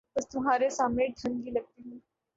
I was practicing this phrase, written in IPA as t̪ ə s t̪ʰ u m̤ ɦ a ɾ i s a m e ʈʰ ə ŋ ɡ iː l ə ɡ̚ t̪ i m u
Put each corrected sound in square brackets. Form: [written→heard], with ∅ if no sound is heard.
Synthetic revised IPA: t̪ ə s [t̪ʰ→t̪] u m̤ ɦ a ɾ [i→e] s a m e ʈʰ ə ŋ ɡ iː l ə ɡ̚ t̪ i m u